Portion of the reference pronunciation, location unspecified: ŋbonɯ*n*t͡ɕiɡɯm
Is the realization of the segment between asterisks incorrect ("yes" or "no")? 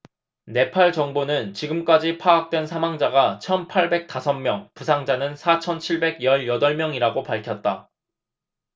no